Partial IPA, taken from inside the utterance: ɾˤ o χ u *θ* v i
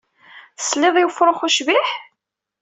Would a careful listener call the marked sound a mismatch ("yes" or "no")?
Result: yes